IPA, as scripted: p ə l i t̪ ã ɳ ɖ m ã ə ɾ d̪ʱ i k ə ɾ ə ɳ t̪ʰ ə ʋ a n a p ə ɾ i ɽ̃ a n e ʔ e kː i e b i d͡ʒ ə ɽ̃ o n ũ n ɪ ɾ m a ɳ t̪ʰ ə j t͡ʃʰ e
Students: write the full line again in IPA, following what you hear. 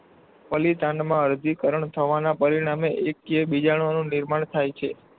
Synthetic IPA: p ə l i t̪ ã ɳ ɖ m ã ə ɾ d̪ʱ i k ə ɾ ə ɳ t̪ʰ ə ʋ a n a p ə ɾ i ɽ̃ a m e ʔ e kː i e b i d͡ʒ a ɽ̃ o n ũ n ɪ ɾ m a ɳ t̪ʰ a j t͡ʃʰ e